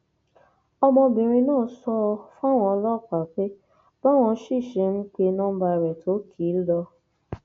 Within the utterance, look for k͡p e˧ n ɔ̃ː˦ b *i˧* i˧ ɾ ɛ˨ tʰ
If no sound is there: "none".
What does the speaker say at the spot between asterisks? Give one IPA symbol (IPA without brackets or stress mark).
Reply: a˧